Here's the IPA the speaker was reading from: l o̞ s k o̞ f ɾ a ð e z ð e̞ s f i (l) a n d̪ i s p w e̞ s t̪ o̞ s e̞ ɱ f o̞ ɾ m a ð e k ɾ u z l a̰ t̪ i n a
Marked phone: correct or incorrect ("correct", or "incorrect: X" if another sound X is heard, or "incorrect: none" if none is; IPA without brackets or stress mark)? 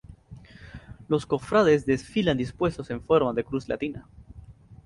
correct